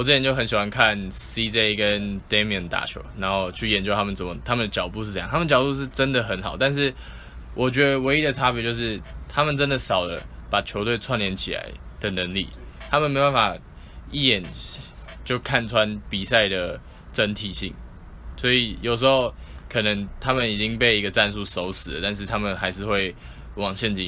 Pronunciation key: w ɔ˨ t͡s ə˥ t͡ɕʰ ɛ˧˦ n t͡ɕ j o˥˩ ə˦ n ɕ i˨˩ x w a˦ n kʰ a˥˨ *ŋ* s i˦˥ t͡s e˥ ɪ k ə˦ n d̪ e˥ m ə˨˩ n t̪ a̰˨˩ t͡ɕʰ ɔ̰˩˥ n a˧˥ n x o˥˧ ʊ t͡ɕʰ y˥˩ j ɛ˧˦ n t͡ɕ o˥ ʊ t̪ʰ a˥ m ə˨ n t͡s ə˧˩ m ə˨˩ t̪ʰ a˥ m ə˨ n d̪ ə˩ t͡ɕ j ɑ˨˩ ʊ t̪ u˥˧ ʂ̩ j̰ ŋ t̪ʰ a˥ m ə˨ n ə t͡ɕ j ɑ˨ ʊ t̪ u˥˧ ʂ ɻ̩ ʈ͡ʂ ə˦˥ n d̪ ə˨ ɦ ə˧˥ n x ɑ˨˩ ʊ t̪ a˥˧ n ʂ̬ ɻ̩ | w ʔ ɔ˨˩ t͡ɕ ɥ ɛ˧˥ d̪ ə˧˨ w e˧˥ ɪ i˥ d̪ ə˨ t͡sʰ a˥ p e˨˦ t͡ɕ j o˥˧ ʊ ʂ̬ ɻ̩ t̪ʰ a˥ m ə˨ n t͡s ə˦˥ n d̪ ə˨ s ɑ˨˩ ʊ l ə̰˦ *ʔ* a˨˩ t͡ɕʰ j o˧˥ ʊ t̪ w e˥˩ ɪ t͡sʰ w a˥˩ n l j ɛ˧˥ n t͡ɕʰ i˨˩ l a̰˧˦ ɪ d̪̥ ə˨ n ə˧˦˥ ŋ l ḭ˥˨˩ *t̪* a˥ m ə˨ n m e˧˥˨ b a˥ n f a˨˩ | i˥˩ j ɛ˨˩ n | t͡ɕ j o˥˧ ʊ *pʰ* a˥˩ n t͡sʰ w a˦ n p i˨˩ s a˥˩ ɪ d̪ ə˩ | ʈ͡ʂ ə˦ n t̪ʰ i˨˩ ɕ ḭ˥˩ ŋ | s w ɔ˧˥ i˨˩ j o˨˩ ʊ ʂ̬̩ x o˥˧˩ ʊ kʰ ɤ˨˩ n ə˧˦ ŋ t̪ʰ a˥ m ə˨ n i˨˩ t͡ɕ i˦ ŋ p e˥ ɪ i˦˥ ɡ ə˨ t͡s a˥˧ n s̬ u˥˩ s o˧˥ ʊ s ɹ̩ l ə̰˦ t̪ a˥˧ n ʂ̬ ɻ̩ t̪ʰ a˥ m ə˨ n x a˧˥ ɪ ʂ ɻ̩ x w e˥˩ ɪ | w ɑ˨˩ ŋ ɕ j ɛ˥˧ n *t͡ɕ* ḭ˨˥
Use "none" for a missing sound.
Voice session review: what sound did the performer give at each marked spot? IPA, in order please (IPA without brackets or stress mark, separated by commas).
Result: n, p, t̪ʰ, kʰ, t͡ɕ